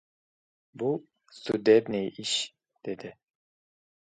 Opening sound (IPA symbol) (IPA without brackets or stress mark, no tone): b